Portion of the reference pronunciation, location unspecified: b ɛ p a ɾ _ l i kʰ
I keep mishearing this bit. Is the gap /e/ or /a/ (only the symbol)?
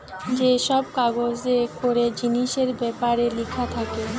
e